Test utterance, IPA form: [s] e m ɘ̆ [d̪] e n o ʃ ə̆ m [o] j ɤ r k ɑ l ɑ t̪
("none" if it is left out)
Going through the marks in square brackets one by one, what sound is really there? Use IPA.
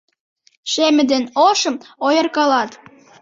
ʃ, d̪, o

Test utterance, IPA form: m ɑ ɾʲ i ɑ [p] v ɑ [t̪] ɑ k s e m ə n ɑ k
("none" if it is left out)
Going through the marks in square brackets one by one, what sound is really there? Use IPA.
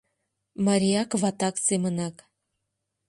k, t̪

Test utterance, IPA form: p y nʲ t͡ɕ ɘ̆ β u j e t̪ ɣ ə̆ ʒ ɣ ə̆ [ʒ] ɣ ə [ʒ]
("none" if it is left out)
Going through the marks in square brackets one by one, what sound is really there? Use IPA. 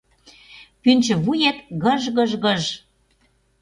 ʒ, ʒ

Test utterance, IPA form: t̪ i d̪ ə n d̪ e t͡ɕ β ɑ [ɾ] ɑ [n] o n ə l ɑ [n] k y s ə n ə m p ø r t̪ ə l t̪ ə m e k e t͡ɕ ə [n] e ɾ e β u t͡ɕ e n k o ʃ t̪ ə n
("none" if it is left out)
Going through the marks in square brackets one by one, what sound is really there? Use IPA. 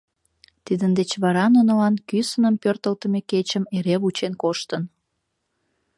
ɾ, n, n, m

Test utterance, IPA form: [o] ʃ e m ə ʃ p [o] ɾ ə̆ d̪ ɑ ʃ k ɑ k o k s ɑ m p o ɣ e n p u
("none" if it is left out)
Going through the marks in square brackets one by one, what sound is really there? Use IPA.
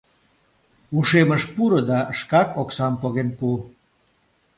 u, u

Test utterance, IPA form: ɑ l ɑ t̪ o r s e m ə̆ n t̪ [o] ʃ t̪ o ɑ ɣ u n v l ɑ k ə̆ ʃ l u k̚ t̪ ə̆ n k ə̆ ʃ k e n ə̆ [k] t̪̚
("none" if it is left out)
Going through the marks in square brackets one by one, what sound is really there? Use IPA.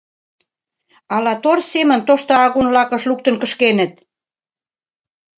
o, none

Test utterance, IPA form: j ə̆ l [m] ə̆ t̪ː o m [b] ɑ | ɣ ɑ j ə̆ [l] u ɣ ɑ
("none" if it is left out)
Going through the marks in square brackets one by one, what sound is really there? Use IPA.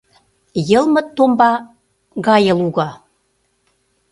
m, b, l

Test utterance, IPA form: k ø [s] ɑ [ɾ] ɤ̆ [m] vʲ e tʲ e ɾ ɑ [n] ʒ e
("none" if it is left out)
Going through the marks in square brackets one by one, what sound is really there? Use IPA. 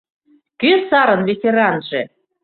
s, ɾ, n, n

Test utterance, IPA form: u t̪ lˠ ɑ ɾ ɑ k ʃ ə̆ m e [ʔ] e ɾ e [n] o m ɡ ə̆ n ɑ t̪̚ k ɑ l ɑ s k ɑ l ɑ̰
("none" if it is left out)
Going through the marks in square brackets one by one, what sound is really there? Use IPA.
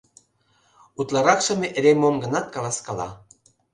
ʔ, m

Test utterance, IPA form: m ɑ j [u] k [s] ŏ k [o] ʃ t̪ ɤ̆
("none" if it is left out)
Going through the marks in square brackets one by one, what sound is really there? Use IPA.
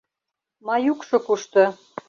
u, ʃ, u

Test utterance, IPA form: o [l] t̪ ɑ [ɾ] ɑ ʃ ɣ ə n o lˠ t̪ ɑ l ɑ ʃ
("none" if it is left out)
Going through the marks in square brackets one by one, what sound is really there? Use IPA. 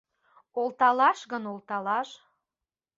l, l

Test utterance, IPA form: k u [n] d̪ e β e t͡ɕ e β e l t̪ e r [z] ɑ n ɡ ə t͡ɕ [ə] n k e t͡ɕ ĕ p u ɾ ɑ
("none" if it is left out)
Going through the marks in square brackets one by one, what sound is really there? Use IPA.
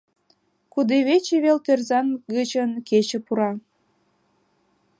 none, z, ə

